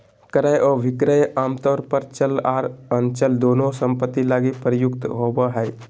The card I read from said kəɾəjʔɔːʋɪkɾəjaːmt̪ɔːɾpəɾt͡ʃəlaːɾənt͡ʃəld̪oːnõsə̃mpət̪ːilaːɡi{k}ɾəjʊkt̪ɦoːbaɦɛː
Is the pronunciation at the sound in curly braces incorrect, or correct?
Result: incorrect